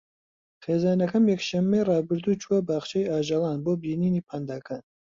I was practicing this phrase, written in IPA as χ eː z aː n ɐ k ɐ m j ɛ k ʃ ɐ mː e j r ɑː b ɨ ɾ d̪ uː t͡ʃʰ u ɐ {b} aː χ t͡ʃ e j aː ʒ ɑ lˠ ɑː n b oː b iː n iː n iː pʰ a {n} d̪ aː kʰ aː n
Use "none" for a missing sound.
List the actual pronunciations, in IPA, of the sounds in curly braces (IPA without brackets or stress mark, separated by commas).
b, n